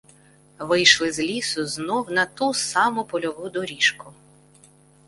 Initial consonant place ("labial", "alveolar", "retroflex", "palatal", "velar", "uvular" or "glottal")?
labial